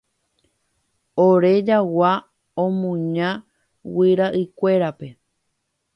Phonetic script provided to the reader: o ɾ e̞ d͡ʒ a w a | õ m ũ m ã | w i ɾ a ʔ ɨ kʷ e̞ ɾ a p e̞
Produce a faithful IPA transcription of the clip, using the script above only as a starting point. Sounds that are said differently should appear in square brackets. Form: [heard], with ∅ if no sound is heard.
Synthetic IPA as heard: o ɾ e̞ d͡ʒ a w a | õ m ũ [ɲ] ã | w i ɾ a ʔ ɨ kʷ e̞ ɾ a p e̞